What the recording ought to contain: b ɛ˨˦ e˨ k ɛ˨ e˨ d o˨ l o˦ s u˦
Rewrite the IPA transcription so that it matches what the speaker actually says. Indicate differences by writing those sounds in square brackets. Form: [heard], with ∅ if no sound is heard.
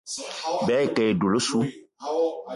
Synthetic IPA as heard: b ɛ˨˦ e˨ k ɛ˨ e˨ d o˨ l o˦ s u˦